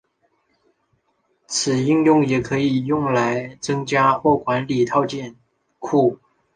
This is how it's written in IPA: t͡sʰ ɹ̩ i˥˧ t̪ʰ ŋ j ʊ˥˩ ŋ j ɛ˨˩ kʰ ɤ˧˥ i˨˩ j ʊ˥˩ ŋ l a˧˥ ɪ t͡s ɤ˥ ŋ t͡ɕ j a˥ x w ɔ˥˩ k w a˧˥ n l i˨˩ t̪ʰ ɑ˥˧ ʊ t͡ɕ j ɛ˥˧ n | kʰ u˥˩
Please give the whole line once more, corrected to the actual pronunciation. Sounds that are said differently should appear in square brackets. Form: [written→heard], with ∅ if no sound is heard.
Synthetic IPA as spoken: t͡sʰ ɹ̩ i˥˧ [t̪ʰ→∅] ŋ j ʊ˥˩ ŋ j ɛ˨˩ kʰ ɤ˧˥ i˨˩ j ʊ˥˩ ŋ l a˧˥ ɪ t͡s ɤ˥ ŋ t͡ɕ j a˥ x w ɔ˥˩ k w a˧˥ n l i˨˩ t̪ʰ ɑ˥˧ ʊ t͡ɕ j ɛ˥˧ n | kʰ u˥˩